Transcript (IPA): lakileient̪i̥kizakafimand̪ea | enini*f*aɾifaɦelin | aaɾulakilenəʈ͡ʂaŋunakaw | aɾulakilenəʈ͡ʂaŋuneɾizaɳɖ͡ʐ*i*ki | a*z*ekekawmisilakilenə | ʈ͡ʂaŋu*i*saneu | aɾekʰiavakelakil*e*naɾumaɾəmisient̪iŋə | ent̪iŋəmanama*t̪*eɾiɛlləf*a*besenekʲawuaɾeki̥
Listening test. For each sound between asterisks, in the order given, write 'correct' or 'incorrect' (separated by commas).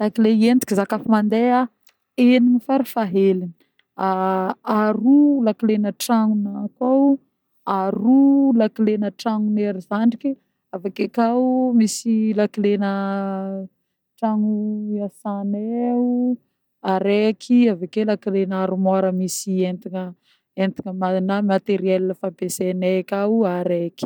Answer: correct, correct, incorrect, incorrect, correct, correct, correct